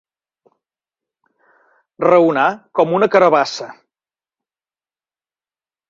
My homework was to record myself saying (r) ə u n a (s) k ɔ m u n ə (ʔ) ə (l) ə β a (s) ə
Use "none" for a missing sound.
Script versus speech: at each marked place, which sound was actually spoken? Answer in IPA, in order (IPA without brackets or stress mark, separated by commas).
r, none, k, ɾ, s